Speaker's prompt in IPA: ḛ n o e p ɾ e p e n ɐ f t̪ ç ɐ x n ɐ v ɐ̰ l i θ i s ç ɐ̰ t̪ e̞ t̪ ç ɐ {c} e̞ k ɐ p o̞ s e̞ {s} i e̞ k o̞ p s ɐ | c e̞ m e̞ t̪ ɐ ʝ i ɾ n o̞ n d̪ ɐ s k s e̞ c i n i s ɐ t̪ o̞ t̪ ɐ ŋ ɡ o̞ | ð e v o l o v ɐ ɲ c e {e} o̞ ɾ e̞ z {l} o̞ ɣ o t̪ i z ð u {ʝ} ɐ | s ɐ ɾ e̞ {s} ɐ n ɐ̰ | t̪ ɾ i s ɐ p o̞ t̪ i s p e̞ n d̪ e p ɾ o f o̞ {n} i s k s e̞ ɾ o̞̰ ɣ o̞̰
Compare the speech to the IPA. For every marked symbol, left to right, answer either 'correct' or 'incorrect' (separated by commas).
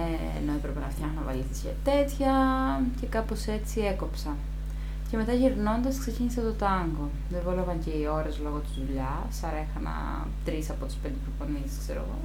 correct, incorrect, incorrect, correct, incorrect, incorrect, correct